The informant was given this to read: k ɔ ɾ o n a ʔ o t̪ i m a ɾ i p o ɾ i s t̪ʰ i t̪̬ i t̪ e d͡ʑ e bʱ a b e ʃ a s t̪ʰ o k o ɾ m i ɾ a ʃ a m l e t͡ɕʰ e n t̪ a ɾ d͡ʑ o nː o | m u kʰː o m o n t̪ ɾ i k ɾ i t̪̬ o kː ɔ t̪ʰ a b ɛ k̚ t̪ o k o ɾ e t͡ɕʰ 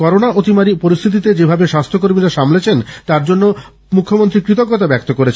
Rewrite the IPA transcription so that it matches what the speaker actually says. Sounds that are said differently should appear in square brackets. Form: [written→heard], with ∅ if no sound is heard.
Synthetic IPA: k ɔ ɾ o n a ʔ o t̪ i m a ɾ i p o ɾ i s t̪ʰ i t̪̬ i t̪ e d͡ʑ e bʱ a b e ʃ a s t̪ʰ o k o ɾ m i ɾ a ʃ a m l e t͡ɕʰ e n t̪ a ɾ d͡ʑ o nː o | m u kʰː o m o n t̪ ɾ i k ɾ i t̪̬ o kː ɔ [t̪ʰ→t̪] a b ɛ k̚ t̪ o k o ɾ e t͡ɕʰ